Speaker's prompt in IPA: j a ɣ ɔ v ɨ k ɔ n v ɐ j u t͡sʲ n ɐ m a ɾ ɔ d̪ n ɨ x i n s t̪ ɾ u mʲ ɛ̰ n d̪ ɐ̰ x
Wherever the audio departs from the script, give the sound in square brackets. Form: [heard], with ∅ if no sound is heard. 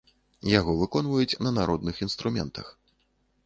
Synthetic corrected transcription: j a ɣ ɔ v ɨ k ɔ n v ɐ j u t͡sʲ n ɐ [n] a ɾ ɔ d̪ n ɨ x i n s t̪ ɾ u mʲ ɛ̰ n [t̪] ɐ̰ x